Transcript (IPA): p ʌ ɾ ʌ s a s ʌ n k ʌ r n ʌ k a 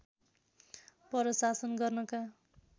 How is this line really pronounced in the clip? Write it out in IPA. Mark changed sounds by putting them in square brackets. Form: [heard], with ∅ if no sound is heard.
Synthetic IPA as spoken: p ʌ ɾ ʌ s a s ʌ n [ɡ] ʌ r n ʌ k a